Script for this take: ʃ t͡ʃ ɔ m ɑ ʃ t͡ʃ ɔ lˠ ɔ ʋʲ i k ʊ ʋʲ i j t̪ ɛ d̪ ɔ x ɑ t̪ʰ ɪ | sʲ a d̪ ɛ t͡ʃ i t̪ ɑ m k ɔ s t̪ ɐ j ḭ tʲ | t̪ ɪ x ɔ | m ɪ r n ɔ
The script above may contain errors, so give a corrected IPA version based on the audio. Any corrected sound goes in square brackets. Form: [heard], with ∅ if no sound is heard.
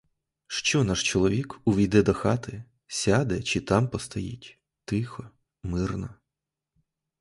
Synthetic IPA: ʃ t͡ʃ ɔ [n] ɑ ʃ t͡ʃ ɔ lˠ ɔ ʋʲ i k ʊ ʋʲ i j [d̪] ɛ d̪ ɔ x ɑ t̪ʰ ɪ | sʲ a d̪ ɛ t͡ʃ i t̪ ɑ m [p] ɔ s t̪ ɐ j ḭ tʲ | t̪ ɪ x ɔ | m ɪ r n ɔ